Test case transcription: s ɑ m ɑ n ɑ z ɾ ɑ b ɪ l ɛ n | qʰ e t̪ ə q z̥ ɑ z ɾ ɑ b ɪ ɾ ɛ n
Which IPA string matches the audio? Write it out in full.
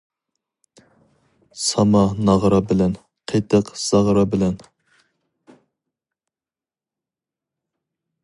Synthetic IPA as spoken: s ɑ m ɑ n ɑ ʁ ɾ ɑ b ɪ l ɛ n | qʰ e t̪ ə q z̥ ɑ ʁ ɾ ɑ b ɪ l ɛ n